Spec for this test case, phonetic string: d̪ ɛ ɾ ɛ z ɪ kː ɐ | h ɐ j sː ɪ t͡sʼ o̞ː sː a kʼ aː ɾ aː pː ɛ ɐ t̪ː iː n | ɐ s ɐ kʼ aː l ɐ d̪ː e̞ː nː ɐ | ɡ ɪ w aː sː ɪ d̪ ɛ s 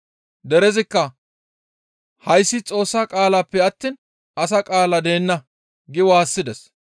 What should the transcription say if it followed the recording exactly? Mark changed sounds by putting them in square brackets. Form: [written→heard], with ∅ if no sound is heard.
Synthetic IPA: d̪ ɛ ɾ ɛ z ɪ kː ɐ | h ɐ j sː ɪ t͡sʼ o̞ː sː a kʼ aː [ɾ→l] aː pː ɛ ɐ t̪ː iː n | ɐ s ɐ kʼ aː l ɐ [d̪ː→d̪] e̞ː nː ɐ | ɡ ɪ w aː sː ɪ d̪ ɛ s